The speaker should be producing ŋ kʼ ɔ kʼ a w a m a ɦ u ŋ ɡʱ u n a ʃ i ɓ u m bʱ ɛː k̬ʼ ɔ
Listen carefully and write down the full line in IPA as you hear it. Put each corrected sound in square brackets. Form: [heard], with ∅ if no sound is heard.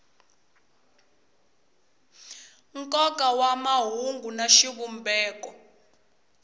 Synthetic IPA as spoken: ŋ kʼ ɔ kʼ a w a m a ɦ u ŋ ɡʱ u n a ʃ i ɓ u m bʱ ɛː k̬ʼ ɔ